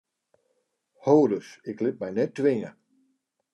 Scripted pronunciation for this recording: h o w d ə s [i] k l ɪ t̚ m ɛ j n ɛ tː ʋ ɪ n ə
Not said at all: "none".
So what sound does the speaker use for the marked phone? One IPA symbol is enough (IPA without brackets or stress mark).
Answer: ɪ